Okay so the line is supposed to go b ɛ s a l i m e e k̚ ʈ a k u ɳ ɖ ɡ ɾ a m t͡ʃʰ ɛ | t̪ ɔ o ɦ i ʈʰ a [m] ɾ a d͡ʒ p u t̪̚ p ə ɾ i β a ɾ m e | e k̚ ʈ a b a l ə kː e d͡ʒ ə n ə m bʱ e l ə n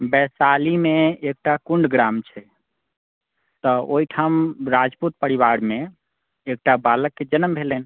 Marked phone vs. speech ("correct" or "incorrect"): correct